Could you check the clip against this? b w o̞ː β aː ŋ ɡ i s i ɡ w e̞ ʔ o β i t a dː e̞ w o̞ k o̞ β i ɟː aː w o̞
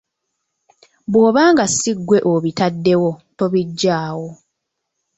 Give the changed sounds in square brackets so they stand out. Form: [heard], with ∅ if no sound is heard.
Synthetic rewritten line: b w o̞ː β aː ŋ ɡ [a] s i ɡ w e̞ ʔ o β i t a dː e̞ w o̞ [t] o̞ β i ɟː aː w o̞